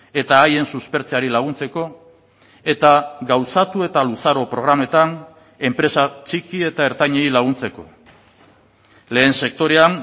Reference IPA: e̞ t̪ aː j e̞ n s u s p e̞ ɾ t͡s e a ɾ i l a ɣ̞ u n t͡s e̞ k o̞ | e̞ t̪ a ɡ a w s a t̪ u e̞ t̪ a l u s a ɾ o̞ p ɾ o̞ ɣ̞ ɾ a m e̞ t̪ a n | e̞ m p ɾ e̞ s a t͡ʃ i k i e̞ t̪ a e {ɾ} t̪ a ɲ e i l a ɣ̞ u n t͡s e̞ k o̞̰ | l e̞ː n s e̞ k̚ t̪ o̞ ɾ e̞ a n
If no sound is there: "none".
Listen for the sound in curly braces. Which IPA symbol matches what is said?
ɾ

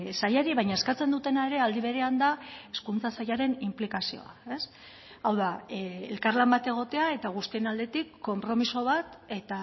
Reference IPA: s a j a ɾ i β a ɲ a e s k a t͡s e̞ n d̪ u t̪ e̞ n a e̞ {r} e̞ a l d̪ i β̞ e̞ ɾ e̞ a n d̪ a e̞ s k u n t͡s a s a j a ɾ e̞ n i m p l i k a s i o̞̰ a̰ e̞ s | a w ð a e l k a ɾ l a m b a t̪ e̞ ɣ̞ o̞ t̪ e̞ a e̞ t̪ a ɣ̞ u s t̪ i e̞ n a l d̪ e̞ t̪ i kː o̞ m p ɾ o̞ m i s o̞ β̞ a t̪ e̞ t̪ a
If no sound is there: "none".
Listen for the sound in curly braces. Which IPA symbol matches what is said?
ɾ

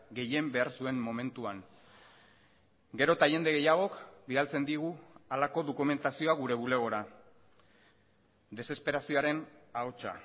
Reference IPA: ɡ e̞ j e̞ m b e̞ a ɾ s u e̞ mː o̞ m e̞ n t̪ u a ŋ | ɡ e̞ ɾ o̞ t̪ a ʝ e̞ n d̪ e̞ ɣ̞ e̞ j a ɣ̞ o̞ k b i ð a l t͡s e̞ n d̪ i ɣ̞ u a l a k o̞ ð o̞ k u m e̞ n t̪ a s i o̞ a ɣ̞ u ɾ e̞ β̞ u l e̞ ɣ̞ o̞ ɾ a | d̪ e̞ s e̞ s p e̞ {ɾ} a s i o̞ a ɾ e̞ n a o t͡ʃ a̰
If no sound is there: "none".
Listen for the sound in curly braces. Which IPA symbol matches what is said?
ɾ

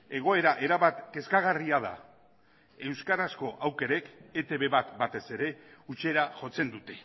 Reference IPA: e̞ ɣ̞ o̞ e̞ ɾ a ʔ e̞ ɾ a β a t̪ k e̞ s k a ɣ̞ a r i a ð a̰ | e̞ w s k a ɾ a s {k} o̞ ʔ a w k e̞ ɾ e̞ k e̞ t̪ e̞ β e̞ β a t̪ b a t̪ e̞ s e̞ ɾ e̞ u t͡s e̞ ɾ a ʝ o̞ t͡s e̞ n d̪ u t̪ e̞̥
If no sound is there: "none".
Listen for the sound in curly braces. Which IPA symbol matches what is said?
k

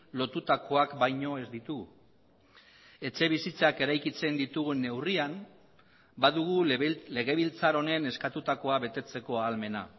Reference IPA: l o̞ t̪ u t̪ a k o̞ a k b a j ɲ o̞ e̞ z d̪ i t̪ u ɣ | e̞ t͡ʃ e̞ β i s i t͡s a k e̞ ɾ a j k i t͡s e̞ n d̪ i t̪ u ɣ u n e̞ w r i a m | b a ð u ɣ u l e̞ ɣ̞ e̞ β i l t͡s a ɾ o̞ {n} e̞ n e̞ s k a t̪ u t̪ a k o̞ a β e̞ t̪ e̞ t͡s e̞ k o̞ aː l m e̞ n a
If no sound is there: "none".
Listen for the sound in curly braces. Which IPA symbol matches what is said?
n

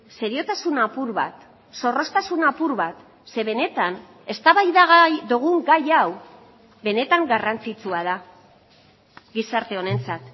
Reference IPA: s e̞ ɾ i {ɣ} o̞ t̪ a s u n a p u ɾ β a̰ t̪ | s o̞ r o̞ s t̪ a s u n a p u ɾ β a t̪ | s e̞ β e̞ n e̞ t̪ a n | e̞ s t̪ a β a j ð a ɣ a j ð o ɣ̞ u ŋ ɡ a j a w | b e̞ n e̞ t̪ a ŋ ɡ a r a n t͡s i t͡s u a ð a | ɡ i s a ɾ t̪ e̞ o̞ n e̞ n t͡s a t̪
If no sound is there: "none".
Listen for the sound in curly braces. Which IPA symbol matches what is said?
none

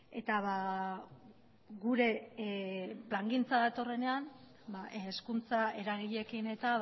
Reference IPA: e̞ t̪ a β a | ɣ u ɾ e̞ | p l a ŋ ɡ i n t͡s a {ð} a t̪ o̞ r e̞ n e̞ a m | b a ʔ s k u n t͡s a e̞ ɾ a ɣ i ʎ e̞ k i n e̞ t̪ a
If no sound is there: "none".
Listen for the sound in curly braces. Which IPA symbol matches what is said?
ð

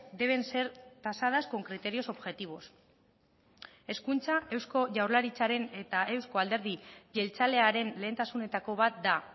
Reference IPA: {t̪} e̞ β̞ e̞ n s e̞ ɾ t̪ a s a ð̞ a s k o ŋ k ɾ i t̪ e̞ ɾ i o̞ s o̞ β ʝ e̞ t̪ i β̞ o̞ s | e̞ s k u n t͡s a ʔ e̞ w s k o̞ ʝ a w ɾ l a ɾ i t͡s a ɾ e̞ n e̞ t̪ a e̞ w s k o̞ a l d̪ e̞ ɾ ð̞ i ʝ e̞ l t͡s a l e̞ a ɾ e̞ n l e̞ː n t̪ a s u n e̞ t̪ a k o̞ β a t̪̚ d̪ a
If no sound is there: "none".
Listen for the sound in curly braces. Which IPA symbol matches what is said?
d̪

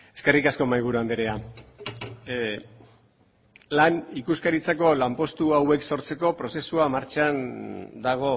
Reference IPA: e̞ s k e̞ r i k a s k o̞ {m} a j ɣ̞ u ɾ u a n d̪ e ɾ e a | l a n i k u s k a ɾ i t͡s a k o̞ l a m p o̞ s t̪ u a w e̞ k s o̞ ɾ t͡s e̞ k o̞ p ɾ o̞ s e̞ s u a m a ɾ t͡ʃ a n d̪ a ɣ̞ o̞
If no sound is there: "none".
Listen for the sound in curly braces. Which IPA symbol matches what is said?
m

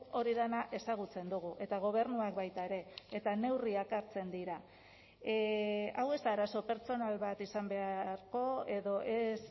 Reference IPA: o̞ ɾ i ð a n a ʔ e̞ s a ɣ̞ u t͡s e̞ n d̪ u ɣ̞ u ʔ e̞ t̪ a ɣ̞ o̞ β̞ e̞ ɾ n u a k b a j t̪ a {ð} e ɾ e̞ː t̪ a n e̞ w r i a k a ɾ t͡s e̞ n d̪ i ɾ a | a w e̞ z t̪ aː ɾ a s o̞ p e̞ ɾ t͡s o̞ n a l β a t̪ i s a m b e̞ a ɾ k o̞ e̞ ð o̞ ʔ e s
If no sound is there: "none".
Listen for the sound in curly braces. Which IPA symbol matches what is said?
none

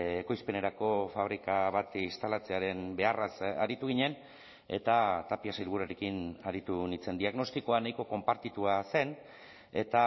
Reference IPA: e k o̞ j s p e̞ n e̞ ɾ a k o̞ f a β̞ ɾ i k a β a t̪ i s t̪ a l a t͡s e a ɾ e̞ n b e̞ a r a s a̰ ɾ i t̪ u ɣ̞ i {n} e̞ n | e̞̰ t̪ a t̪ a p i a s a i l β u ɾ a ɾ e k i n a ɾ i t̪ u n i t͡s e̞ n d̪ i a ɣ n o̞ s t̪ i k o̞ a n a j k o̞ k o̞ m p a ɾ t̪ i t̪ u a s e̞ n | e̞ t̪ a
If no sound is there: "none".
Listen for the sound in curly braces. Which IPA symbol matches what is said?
ɲ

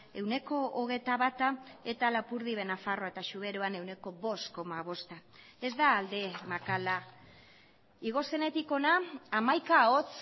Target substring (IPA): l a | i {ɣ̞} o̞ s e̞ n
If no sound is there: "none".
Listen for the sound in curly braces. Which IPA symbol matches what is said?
ɣ̞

